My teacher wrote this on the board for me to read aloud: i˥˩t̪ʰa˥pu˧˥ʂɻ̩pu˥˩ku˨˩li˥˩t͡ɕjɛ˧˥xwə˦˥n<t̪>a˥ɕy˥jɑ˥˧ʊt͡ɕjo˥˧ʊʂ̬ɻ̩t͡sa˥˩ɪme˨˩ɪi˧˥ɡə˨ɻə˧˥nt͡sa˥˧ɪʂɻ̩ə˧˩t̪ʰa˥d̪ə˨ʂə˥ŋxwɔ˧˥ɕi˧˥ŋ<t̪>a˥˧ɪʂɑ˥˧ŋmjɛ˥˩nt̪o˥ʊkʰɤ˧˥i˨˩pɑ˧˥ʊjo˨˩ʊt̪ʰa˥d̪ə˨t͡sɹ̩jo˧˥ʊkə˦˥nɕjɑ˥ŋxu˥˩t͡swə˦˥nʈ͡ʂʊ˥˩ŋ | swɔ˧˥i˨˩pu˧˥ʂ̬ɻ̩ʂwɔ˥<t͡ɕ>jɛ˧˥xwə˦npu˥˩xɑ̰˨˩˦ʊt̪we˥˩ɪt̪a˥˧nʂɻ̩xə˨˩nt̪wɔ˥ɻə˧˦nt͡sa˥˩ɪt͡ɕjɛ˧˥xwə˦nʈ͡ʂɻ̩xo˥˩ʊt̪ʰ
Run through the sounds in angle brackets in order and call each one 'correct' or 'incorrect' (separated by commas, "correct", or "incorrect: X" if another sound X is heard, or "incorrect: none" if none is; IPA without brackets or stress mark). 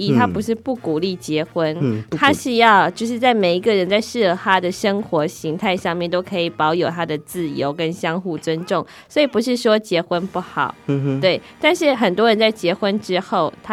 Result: incorrect: t̪ʰ, incorrect: t̪ʰ, correct